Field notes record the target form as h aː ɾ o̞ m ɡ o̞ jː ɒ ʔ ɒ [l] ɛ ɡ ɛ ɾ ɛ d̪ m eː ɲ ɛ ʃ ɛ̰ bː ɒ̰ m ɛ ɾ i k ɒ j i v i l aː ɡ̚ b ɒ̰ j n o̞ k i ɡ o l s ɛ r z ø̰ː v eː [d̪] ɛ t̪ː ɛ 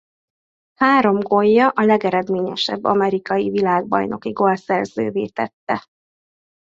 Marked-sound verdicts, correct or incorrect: correct, incorrect: t̪

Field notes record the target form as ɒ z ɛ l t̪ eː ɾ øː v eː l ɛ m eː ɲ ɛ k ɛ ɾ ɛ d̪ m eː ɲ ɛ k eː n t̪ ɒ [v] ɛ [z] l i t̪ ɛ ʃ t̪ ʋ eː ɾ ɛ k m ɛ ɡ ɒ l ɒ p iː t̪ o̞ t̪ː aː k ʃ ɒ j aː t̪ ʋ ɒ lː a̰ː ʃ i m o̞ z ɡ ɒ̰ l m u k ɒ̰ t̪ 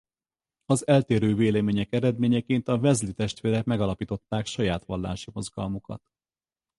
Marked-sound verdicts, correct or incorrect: correct, correct

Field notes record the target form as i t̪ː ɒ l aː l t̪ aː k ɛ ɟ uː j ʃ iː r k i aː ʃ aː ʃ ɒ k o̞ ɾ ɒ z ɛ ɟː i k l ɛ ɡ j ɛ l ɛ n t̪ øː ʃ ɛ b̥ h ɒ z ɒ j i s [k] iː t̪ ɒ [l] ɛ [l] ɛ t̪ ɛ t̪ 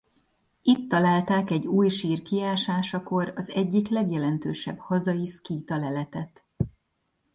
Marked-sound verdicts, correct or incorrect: correct, correct, correct

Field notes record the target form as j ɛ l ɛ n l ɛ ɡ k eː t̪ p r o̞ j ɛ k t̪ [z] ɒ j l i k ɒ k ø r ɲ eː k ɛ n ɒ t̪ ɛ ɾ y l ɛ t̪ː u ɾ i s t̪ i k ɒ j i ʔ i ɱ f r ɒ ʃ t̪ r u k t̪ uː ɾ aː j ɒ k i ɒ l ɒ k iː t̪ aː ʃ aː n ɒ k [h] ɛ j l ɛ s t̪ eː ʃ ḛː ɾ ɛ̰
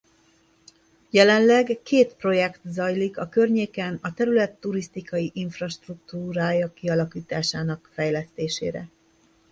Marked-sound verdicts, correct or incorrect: correct, incorrect: f

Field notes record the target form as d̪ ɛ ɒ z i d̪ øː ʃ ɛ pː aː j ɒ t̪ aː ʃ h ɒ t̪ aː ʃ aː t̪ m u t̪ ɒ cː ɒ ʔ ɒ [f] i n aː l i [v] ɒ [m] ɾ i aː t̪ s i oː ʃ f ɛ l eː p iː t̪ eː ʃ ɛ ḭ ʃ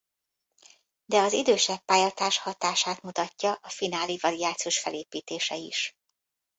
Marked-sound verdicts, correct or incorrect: correct, correct, incorrect: none

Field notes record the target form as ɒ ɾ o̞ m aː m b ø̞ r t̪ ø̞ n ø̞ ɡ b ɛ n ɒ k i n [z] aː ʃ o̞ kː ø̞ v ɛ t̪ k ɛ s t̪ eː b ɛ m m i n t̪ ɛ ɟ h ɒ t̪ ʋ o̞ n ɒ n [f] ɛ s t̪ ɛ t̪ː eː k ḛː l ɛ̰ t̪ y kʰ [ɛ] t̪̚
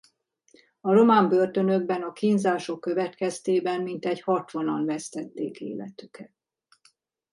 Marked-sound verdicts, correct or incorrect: correct, incorrect: v, correct

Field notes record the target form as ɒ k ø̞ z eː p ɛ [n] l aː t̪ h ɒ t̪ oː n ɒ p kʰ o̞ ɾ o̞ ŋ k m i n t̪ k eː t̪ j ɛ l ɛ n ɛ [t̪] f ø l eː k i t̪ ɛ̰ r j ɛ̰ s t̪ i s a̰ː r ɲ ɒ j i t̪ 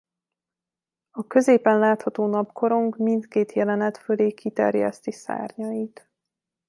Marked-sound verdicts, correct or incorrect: correct, correct

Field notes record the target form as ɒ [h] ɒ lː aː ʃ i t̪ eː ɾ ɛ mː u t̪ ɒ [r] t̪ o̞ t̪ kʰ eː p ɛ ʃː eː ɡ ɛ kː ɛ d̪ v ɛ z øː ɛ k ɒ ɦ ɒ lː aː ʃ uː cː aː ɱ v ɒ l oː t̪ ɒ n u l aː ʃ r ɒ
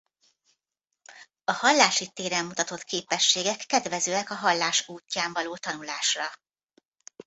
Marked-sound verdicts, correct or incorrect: correct, incorrect: none

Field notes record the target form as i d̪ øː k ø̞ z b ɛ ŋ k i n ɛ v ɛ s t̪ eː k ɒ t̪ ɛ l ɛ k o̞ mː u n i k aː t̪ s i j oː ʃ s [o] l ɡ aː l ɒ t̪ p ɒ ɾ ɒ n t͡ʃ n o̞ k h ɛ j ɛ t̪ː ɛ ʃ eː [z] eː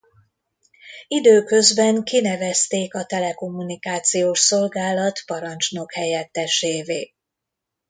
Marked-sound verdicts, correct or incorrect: correct, incorrect: v

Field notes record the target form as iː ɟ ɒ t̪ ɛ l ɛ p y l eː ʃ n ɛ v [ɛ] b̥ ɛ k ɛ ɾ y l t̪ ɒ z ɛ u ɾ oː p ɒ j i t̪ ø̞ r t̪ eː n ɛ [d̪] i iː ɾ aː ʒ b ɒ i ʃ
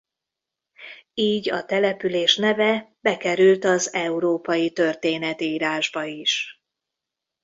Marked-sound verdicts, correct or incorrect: correct, incorrect: t̪

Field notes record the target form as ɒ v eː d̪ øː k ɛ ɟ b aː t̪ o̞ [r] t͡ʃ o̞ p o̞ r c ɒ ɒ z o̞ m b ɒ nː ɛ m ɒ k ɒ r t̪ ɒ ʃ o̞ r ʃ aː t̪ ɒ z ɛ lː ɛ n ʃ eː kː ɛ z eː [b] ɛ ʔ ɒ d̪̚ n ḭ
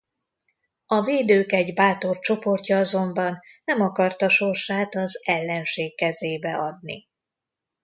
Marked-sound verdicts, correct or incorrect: correct, correct

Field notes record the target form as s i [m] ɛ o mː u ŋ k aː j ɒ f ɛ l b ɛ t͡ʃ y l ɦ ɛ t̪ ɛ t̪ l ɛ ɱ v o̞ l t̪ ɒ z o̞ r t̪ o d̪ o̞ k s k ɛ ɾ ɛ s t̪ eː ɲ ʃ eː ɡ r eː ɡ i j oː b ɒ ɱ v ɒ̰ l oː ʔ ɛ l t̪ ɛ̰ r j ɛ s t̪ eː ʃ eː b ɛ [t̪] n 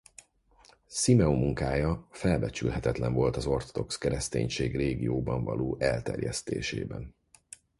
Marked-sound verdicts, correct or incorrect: correct, incorrect: none

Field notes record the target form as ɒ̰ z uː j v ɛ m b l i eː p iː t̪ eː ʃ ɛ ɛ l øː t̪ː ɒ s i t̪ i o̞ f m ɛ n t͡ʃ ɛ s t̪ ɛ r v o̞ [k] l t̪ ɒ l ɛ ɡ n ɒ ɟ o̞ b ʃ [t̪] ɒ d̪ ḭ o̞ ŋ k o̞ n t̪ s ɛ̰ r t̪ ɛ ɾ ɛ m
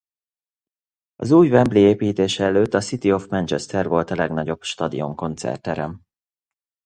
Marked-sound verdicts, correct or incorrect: incorrect: none, correct

